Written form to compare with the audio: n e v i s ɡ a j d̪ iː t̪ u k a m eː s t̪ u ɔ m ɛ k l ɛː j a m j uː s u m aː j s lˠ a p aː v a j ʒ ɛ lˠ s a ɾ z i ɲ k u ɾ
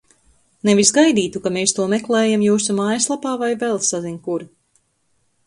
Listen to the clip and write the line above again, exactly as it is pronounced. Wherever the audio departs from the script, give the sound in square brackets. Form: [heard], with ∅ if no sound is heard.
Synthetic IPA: n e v i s ɡ a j d̪ iː t̪ u k a m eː s t̪ u ɔ m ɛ k l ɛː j a m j uː s u m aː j s lˠ a p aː v a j [v] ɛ lˠ s a [∅] z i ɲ k u ɾ